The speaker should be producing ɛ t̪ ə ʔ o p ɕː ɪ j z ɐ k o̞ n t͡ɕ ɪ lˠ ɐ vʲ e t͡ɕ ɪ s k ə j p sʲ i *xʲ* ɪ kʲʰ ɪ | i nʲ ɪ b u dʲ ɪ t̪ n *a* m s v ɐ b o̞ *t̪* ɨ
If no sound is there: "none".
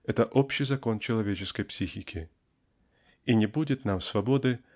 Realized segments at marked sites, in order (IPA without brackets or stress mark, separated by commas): xʲ, a, d̪